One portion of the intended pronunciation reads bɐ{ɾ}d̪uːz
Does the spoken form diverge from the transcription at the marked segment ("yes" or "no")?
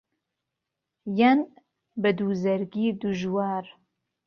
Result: yes